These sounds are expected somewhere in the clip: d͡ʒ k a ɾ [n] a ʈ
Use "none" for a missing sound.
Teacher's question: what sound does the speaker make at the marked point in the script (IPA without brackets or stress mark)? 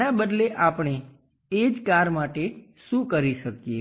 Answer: m